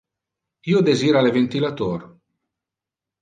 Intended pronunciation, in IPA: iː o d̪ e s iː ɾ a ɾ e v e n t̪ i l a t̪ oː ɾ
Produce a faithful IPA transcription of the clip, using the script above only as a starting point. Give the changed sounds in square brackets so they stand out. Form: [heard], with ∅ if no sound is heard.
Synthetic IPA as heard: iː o d̪ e [z] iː ɾ a [l] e v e n t̪ i l a t̪ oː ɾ

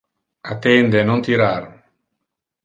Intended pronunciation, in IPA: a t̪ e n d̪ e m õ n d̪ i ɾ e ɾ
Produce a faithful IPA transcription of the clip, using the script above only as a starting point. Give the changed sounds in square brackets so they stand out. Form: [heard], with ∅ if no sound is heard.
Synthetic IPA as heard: a t̪ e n d̪ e [n] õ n [t̪] i ɾ [a] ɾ

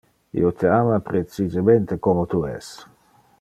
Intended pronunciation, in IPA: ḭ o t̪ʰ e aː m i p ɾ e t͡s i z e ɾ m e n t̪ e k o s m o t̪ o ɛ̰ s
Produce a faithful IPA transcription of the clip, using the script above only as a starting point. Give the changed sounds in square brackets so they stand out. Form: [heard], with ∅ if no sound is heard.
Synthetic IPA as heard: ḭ o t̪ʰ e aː m [a] p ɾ e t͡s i z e [∅] m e n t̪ e k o [∅] m o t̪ [u] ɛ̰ s

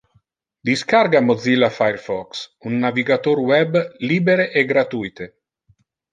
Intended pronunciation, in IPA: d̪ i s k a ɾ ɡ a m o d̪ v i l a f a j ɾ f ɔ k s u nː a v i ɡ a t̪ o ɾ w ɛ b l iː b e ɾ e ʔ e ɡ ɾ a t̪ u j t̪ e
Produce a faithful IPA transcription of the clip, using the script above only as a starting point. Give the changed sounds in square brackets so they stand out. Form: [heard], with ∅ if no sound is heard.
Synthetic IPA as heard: d̪ i s k a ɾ ɡ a m o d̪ [z] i l a f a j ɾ f ɔ k s u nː a v i ɡ a t̪ o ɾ w ɛ b l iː b e ɾ e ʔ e ɡ ɾ a t̪ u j t̪ e

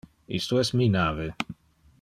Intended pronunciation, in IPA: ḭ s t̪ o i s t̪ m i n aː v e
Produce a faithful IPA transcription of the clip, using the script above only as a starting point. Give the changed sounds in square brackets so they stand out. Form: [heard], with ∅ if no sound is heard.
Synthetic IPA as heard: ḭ s t̪ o [ɛ] s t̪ m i n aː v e

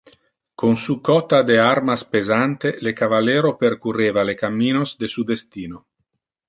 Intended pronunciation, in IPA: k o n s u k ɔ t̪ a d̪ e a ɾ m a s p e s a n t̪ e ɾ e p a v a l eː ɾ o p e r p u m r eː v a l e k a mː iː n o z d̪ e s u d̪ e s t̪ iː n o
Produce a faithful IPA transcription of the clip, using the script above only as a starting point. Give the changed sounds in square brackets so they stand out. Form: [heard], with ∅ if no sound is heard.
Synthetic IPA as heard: k o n s u k ɔ t̪ a d̪ e a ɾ m a s p e [z] a n t̪ e [l] e [k] a v a l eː ɾ o p e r [k] u [∅] r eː v a l e k a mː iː n o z d̪ e s u d̪ e s t̪ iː n o

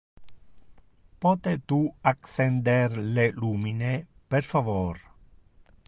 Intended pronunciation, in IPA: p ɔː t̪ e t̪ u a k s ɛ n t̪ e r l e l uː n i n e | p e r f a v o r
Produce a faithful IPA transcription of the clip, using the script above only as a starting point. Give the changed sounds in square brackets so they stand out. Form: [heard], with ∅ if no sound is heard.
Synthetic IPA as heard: p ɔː t̪ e t̪ u a k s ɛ n [d̪] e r l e l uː [m] i n e | p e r f a v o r

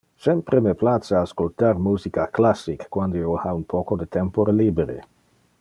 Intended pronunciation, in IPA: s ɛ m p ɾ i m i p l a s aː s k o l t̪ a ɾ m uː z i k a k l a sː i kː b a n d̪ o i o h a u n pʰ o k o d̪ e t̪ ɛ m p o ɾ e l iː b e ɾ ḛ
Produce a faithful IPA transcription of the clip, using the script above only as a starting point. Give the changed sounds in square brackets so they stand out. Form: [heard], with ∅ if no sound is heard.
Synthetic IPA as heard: s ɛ m p ɾ [e] m [e] p l a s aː s k o l t̪ a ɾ m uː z i k a k l a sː i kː [w] a n d̪ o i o h a u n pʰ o k o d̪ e t̪ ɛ m p o ɾ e l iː b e ɾ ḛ

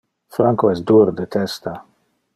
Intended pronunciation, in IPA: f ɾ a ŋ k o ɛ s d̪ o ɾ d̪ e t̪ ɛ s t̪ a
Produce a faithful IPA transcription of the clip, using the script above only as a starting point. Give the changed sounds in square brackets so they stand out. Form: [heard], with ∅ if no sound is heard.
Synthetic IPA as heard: f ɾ a ŋ k o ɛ s d̪ [u] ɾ d̪ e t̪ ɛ s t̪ a

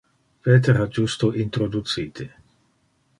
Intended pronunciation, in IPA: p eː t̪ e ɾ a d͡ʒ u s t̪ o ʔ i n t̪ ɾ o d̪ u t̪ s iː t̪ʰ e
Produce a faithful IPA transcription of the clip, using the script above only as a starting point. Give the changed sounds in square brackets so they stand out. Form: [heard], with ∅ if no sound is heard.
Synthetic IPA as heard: p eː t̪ e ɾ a d͡ʒ u s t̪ o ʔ i n t̪ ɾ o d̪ u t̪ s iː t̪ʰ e

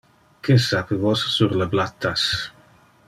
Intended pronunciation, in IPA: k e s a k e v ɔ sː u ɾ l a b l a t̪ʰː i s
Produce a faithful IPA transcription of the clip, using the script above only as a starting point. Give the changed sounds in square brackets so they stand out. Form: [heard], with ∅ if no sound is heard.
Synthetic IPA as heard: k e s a [p] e v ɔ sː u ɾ l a b l a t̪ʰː [a] s

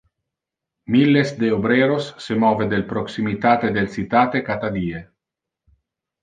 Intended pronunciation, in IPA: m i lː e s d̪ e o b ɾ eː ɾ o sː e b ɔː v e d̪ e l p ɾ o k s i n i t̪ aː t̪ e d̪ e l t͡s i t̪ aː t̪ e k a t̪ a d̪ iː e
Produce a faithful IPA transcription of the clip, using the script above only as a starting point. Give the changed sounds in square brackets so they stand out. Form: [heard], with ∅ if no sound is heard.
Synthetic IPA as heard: m i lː e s d̪ e o b ɾ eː ɾ o sː e [m] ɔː v e d̪ e l p ɾ o k s i [m] i t̪ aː t̪ e d̪ e l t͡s i t̪ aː t̪ e k a t̪ a d̪ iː e

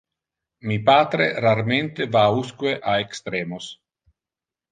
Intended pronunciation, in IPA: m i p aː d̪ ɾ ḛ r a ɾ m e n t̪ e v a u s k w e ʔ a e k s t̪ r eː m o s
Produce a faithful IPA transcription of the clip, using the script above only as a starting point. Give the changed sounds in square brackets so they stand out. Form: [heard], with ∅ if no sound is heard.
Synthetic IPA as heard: m i p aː [t̪] ɾ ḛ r a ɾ m e n t̪ e v a u s k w e ʔ a e k s t̪ [ɾ] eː m o s

